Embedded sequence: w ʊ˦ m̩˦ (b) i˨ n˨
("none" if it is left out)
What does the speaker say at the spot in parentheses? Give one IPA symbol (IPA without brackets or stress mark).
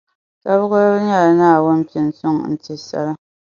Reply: p